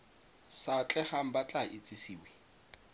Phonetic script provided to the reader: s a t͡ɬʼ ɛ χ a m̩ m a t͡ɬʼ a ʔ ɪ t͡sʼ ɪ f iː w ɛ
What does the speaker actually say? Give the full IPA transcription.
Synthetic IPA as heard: s a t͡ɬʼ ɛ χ a m̩ b a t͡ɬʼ a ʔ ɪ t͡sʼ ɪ s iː w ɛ